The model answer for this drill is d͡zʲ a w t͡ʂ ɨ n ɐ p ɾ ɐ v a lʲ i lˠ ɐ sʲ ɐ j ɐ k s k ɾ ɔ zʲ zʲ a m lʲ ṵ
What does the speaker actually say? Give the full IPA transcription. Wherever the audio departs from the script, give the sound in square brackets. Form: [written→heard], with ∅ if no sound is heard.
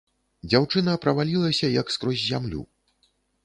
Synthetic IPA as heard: d͡zʲ a w t͡ʂ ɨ n ɐ p ɾ ɐ v a lʲ i lˠ ɐ sʲ ɐ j ɐ k s k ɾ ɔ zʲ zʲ a m lʲ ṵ